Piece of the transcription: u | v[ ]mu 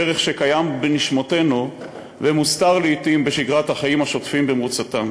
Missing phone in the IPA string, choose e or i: e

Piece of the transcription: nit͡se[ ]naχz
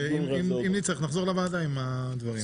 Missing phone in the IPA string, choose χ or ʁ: χ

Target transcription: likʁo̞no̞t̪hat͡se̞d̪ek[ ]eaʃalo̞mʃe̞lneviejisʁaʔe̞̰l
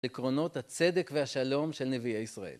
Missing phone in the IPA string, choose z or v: v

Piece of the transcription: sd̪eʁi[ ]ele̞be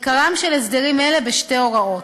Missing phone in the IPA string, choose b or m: m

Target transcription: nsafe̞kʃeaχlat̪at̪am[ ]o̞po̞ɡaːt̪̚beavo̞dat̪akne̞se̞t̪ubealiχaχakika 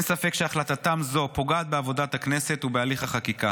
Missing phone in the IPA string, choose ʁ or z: z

